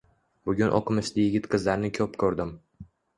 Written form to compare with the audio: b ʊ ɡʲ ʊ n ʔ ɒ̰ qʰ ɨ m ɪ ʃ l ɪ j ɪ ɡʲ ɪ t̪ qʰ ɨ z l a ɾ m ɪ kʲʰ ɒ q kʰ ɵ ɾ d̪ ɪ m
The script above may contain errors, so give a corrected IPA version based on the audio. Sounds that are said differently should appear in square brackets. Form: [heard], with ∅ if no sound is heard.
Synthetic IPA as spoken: b ʊ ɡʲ ʊ n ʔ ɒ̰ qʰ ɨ m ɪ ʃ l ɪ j ɪ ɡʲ ɪ t̪ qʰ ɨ z l a ɾ [n] ɪ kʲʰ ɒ [p] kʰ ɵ ɾ d̪ ɪ m